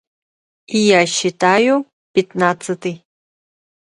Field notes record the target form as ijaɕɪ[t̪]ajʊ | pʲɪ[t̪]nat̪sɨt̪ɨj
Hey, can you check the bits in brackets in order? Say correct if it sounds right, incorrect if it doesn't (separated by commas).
correct, correct